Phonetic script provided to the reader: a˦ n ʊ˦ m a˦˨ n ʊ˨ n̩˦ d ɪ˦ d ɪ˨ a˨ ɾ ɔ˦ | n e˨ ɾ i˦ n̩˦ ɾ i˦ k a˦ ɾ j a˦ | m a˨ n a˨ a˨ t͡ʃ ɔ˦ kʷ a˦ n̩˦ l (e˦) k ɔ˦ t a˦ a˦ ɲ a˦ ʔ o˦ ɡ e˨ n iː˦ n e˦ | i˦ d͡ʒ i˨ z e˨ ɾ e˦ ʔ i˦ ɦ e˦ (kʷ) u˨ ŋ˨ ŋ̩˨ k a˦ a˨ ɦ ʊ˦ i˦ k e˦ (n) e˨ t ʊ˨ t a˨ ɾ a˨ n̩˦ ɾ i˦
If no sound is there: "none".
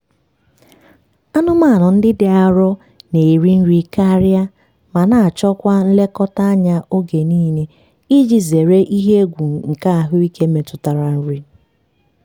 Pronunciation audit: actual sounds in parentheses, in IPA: e˦, ɡʷ, m

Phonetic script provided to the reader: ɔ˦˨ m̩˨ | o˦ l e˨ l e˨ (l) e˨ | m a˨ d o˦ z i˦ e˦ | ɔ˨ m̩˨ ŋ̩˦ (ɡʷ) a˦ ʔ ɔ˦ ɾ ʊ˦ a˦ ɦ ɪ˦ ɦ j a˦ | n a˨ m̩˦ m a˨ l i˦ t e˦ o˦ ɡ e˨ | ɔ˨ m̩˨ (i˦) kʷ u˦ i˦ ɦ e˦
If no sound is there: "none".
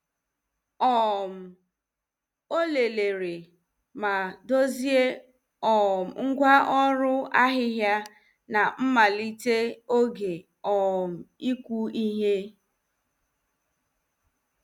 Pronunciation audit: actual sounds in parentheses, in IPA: ɾ, ɡʷ, i˦

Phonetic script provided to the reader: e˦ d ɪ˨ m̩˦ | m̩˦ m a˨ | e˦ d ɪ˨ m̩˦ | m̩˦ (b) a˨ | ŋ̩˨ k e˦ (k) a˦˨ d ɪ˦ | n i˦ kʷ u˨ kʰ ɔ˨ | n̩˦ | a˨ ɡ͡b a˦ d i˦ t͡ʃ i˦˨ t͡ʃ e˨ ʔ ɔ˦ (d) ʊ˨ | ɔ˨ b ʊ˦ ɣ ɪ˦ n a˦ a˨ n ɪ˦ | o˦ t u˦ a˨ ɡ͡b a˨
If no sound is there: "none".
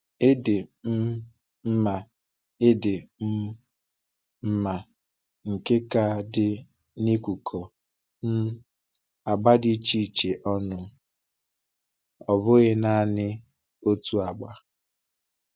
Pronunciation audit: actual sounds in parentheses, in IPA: m, k, n

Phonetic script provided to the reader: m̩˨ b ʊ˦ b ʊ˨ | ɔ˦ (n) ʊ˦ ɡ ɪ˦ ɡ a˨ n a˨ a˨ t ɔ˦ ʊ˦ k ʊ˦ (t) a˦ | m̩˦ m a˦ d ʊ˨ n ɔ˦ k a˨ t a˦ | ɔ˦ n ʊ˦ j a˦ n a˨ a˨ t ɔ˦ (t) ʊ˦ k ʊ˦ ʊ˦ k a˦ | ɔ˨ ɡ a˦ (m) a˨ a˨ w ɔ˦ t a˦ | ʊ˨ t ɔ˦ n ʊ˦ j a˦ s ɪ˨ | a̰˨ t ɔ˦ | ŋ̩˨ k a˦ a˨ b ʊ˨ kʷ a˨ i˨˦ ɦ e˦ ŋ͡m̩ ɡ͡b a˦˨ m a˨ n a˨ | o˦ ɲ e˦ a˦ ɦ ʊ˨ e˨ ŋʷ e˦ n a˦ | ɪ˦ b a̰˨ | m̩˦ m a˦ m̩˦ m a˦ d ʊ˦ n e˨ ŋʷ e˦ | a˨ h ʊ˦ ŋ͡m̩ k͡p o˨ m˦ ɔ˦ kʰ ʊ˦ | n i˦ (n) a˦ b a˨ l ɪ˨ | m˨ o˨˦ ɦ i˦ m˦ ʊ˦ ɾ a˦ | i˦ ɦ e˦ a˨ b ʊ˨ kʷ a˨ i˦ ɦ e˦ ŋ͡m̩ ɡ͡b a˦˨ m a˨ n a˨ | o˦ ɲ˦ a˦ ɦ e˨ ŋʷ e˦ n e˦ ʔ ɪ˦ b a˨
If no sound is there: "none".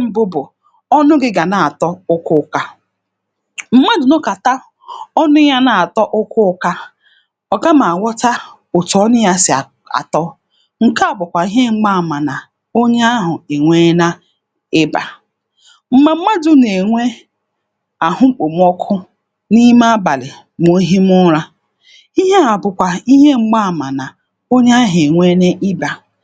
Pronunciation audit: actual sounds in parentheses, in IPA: n, k, ʔ, m, m

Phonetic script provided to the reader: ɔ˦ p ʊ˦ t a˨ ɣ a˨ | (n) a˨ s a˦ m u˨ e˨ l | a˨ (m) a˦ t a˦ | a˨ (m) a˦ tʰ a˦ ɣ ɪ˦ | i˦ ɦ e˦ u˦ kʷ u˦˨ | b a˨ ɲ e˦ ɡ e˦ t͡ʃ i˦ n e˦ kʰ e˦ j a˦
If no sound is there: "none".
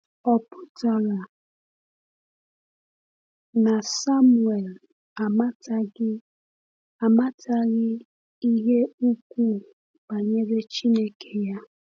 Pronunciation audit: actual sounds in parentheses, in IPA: n, m, m

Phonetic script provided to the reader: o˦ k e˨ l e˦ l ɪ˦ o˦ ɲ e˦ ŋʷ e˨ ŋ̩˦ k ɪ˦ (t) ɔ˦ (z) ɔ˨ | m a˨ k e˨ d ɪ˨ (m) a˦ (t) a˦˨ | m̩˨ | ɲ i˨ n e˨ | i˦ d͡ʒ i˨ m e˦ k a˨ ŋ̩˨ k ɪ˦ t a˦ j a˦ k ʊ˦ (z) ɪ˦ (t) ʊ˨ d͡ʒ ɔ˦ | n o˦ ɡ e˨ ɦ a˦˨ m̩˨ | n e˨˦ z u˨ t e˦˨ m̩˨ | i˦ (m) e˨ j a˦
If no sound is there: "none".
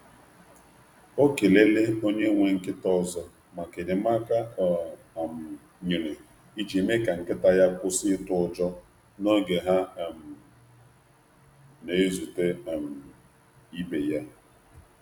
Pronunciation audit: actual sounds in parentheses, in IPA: t, z, m, k, s, t, b

